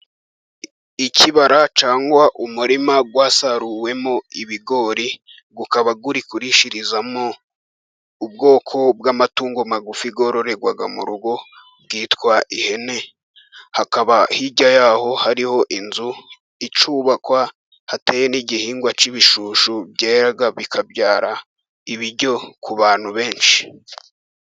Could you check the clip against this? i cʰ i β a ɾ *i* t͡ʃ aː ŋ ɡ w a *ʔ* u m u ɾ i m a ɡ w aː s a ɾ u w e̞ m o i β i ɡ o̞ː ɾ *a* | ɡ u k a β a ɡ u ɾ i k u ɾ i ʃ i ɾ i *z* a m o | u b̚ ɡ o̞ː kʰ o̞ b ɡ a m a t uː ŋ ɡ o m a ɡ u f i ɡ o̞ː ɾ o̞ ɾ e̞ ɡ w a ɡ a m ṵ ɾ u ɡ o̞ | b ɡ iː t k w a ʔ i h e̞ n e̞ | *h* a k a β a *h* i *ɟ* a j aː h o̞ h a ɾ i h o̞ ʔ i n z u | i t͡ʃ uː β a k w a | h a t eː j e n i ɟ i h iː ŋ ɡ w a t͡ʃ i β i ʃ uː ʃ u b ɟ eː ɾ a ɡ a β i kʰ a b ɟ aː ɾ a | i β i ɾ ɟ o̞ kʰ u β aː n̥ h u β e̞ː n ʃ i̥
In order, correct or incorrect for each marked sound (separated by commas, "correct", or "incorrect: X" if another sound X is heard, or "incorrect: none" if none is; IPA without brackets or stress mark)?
incorrect: a, correct, incorrect: i, correct, correct, correct, correct